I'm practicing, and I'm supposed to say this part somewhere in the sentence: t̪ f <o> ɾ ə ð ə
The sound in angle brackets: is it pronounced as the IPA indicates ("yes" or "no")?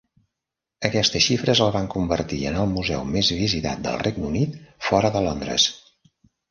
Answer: no